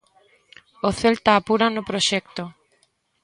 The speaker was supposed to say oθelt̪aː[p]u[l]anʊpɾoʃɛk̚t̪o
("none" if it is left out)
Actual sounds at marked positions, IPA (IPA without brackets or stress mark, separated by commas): p, ɾ